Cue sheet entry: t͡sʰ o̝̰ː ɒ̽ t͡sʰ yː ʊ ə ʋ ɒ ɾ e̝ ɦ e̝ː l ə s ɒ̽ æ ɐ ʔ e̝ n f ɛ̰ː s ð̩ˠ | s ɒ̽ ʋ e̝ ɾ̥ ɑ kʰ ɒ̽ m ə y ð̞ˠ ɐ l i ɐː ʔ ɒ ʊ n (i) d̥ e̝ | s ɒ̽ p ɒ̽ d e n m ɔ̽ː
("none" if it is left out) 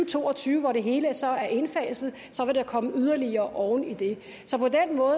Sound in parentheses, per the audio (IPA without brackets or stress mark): i